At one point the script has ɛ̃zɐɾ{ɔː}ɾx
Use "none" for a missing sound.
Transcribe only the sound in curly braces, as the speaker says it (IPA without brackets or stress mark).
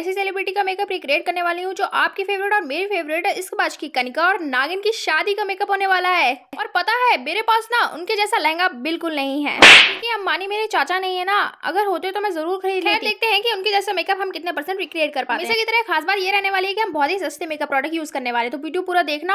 uː